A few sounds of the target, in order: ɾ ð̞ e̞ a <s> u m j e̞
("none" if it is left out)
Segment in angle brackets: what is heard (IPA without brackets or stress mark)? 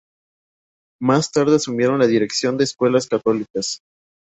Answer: s